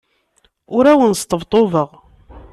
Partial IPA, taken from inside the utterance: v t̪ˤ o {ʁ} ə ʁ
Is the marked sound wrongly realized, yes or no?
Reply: yes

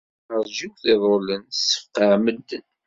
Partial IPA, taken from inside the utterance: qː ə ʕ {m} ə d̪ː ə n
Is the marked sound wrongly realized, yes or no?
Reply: no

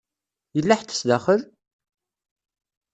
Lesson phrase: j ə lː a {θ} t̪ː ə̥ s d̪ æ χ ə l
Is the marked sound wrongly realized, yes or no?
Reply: yes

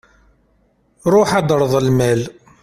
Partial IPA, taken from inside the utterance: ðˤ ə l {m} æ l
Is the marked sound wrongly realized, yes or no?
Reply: no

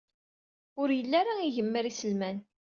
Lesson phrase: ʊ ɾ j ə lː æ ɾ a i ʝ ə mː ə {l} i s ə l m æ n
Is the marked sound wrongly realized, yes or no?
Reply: yes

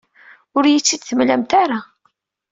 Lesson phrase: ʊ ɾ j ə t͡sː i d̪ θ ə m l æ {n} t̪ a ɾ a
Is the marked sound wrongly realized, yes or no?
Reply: yes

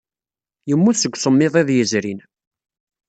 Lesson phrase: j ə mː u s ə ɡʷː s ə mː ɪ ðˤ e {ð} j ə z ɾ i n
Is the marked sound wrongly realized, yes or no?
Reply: no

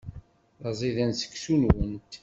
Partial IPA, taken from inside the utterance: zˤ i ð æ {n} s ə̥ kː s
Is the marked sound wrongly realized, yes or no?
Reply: no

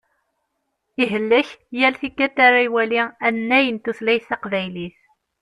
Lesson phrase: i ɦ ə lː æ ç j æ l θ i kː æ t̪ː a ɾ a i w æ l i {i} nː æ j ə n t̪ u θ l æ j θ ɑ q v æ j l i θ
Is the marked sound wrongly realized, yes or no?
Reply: yes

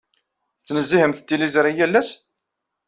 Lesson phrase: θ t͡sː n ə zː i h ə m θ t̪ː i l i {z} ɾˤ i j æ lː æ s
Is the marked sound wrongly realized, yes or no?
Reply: no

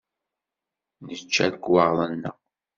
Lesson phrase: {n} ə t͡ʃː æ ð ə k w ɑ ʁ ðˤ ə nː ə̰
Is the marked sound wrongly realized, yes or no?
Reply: no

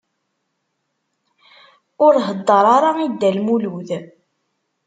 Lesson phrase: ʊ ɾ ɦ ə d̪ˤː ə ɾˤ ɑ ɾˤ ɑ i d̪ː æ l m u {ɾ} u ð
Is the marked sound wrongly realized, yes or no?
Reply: yes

